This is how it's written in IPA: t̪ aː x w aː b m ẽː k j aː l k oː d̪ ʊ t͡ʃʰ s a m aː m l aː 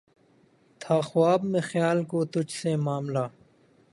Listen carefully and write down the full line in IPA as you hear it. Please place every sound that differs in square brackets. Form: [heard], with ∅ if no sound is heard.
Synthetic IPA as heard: [t̪ʰ] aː x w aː b m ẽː [x] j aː l k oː [t̪] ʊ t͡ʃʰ s [e] m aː m l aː